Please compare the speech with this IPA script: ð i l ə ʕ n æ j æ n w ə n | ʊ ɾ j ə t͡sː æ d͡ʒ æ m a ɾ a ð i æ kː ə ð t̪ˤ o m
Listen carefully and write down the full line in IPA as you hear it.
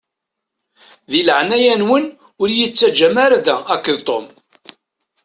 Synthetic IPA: ð i l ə ʕ n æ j æ n w ə n | ʊ ɾ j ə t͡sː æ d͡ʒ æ m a ɾ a ð æ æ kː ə ð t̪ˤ o m